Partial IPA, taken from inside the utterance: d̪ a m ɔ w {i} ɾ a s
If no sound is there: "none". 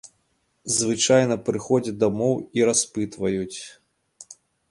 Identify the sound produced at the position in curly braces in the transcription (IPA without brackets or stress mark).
i